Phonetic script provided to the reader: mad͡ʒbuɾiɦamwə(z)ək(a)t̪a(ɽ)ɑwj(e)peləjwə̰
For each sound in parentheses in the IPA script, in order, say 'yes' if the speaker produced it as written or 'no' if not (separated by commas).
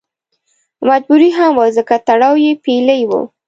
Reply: yes, yes, yes, yes